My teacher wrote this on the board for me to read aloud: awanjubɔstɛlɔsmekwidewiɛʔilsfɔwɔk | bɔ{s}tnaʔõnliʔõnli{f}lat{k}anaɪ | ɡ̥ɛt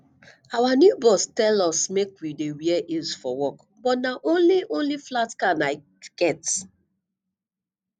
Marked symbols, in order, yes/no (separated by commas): no, yes, yes